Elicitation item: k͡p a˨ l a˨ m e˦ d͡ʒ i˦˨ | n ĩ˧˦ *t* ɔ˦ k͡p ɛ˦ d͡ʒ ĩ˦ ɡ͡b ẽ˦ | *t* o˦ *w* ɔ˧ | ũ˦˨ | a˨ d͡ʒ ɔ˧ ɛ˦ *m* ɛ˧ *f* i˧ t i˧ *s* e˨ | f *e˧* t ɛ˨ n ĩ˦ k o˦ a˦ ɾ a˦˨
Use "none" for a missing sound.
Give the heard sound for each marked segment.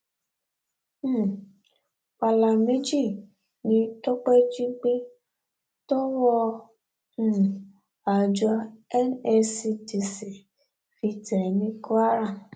t, t, w, n, s, s, i˧

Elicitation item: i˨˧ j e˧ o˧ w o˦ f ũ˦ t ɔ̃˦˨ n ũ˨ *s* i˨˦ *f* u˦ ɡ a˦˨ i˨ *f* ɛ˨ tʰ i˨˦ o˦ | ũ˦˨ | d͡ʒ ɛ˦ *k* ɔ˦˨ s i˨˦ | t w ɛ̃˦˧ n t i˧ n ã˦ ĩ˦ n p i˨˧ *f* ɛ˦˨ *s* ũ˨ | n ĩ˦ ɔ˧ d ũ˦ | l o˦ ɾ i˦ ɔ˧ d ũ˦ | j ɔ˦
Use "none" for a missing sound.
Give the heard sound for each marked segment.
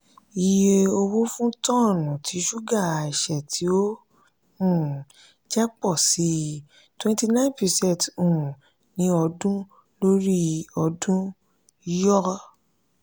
t, ʃ, ʃ, k͡p, s, t

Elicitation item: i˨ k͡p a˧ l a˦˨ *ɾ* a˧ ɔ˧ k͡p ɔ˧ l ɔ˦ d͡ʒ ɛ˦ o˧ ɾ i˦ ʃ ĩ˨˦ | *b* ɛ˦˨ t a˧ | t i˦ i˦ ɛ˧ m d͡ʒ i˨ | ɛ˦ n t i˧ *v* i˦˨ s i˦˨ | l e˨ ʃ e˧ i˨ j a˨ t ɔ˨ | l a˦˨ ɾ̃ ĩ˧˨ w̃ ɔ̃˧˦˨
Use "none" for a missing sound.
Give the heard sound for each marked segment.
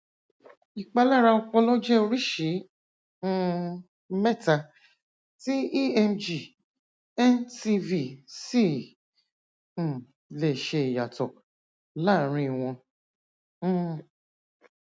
ɾ, m, v

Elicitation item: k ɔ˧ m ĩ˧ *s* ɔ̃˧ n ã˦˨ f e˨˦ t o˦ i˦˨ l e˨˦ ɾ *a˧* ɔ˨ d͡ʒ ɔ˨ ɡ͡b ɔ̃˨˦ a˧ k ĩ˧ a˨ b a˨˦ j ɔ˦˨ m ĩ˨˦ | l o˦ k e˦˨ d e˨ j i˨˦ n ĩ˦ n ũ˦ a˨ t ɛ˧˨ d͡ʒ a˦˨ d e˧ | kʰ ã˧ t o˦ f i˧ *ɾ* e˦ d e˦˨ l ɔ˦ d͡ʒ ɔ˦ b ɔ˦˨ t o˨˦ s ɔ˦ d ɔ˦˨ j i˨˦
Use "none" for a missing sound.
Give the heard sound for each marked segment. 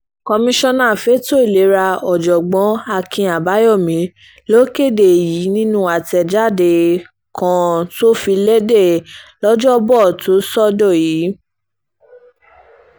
ʃ, a˧, l

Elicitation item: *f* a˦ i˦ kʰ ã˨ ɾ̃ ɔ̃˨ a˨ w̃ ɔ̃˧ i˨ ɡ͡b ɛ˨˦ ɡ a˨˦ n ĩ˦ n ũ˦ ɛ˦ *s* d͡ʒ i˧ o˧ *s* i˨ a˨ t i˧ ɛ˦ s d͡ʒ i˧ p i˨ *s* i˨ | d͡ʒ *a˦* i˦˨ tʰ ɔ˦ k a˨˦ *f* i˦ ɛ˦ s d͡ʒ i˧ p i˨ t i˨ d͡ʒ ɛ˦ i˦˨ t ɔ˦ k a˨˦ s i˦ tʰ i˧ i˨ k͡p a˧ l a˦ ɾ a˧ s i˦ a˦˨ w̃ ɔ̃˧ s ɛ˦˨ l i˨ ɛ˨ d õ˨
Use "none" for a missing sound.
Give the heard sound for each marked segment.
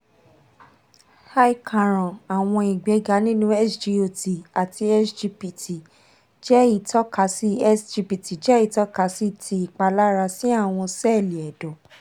h, s, t, t, ɛ˦, s

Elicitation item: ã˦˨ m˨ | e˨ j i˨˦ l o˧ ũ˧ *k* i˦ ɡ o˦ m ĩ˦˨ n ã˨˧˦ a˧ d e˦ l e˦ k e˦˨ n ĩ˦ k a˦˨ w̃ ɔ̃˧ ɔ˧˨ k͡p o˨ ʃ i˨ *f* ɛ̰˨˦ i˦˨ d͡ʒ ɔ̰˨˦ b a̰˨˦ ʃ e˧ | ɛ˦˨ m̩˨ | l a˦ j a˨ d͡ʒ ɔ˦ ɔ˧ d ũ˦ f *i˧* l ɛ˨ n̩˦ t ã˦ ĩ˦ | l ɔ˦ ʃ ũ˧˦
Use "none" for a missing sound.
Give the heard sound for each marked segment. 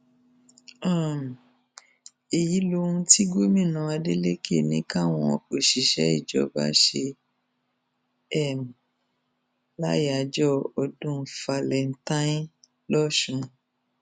t, ʃ, a˧

